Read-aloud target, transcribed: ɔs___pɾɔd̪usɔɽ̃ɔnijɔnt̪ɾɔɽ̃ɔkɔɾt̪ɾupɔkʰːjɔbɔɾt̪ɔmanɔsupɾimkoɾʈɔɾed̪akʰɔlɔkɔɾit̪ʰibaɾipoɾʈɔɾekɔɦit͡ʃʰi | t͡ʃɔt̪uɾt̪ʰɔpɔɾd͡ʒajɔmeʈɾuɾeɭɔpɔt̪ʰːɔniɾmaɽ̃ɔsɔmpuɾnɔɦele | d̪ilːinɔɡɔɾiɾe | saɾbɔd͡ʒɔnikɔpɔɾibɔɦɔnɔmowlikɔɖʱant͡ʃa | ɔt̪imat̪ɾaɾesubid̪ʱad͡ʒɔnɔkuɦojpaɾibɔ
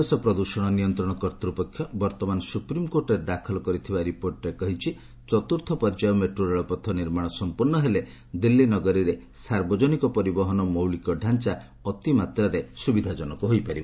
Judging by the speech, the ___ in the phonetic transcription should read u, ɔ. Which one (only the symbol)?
ɔ